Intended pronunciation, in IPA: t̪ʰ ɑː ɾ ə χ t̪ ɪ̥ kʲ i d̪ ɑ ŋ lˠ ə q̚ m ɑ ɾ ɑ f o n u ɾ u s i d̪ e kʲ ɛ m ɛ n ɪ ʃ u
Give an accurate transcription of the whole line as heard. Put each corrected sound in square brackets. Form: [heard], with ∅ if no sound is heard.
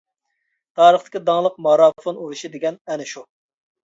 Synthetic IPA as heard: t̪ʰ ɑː ɾ ə χ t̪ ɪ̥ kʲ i d̪ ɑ ŋ lˠ ə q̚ m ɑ ɾ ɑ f o n u ɾ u [ʃ] i d̪ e [ɡʲ] ɛ [n] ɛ n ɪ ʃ u